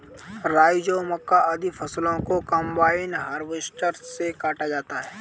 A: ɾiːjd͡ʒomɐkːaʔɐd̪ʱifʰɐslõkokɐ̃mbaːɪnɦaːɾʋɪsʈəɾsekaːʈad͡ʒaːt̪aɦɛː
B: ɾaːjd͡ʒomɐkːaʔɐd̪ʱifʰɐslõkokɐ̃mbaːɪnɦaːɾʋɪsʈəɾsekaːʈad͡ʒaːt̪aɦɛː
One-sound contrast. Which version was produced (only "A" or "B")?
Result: B